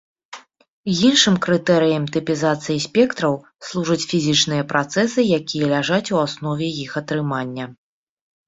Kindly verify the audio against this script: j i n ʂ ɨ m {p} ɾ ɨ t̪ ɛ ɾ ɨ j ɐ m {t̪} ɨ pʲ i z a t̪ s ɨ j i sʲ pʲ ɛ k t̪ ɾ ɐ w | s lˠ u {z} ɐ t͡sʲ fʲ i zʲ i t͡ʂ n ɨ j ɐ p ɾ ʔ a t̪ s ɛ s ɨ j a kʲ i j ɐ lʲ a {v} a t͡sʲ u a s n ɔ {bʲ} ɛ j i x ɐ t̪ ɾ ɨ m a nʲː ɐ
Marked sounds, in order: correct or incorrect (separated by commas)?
incorrect, correct, incorrect, incorrect, incorrect